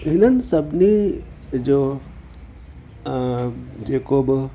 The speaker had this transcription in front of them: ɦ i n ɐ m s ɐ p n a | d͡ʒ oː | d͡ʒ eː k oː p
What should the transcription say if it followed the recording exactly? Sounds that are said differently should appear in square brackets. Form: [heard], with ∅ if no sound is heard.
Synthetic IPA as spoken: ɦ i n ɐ [n] s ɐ [b] n [i] | d͡ʒ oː | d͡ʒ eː k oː [b]